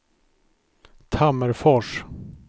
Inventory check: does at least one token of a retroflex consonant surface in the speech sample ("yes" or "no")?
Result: yes